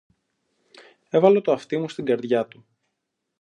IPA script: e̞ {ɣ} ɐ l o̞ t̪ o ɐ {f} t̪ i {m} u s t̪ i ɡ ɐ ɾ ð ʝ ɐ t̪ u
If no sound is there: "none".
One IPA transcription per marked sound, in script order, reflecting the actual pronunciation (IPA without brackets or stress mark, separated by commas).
v, f, m